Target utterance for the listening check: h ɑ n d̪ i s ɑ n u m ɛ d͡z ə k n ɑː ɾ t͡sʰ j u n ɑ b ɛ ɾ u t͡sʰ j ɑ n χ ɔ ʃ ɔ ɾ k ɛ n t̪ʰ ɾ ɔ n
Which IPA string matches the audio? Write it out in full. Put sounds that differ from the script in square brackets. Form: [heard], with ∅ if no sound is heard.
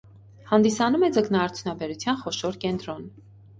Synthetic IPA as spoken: h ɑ n d̪ i s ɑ n u m ɛ d͡z ə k n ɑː ɾ t͡sʰ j u n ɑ b ɛ ɾ u t͡sʰ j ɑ n χ ɔ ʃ ɔ ɾ k ɛ n [t̪] ɾ ɔ n